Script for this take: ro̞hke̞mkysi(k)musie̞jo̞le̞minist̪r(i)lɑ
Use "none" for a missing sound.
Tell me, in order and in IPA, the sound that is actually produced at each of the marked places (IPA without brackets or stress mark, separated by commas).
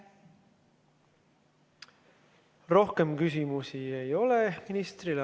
none, i